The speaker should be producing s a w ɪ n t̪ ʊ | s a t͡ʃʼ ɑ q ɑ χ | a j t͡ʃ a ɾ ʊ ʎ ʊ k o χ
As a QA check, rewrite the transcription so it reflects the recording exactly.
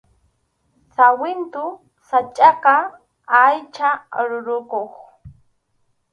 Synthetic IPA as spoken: s a w ɪ n t̪ ʊ | s a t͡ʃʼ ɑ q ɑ | a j t͡ʃ a ɾ ʊ ɾ ʊ k o χ